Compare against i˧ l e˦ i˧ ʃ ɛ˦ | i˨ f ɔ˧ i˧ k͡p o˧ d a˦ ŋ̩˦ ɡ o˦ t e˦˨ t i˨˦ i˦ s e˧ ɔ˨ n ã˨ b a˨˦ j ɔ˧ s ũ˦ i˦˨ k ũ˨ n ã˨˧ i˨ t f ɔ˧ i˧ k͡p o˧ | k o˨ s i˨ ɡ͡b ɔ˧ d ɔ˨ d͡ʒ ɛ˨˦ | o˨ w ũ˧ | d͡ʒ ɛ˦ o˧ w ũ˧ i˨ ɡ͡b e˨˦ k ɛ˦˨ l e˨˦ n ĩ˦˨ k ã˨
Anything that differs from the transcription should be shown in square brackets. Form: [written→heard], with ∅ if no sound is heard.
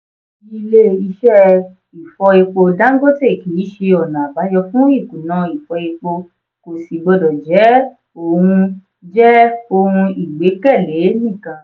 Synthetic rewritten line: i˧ l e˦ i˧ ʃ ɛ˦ | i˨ f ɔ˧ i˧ k͡p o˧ d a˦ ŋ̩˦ ɡ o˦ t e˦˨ [t→k] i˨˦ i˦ [s→ʃ] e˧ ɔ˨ n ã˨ b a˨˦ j ɔ˧ [s→f] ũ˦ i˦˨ k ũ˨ n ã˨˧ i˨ [t→∅] f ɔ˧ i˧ k͡p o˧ | k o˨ s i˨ ɡ͡b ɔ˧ d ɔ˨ d͡ʒ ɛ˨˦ | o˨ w ũ˧ | d͡ʒ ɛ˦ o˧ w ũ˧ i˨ ɡ͡b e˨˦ k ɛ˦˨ l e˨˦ n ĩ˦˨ k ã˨